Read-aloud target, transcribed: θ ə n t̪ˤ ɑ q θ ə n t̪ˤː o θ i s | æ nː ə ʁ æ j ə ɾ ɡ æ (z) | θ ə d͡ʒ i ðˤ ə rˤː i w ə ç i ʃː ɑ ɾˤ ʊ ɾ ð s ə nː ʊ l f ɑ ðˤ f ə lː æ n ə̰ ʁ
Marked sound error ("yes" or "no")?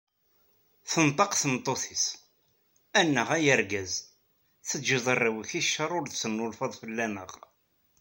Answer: no